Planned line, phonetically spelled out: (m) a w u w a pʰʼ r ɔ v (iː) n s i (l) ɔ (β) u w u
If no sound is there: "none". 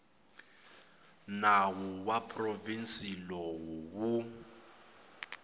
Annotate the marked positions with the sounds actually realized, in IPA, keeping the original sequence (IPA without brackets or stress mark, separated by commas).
n, i, l, w